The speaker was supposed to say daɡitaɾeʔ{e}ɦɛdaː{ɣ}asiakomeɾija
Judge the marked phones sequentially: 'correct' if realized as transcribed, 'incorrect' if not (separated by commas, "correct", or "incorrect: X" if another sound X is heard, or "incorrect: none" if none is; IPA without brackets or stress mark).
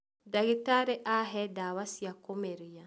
incorrect: a, incorrect: w